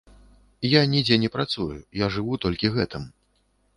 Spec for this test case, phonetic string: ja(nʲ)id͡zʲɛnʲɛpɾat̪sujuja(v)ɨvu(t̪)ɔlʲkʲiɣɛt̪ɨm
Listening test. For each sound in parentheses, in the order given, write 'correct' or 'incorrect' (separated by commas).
correct, incorrect, correct